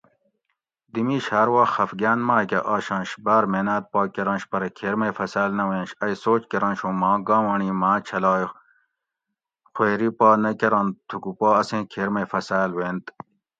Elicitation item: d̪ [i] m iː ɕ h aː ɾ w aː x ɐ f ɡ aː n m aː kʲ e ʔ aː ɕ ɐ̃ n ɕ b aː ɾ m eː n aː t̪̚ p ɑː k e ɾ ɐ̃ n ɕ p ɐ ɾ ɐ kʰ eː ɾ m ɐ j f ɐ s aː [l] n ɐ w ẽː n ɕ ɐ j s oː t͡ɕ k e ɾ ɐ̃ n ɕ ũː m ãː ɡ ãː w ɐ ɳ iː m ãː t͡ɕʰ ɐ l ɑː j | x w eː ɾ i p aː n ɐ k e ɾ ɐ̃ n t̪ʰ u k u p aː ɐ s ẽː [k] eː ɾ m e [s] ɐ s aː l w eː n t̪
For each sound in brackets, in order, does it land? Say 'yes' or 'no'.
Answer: yes, yes, no, no

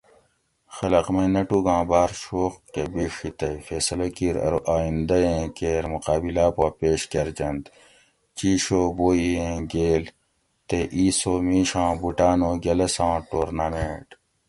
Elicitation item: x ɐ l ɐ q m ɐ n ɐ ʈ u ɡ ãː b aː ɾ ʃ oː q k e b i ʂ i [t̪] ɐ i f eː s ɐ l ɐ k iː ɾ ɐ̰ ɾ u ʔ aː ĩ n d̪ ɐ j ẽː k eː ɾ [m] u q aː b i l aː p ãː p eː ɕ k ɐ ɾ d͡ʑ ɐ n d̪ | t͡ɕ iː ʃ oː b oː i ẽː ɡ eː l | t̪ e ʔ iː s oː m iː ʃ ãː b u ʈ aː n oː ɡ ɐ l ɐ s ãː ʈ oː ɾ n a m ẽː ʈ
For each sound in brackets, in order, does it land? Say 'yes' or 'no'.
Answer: yes, yes

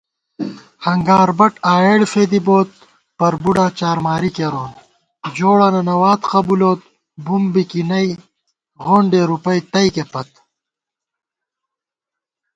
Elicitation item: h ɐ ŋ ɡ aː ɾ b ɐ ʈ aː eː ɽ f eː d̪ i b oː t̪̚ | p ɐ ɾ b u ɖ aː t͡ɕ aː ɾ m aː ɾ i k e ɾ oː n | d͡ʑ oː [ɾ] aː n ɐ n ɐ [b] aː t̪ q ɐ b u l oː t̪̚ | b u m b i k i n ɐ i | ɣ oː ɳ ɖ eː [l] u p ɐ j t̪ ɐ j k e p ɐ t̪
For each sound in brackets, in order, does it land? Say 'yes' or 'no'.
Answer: no, no, no

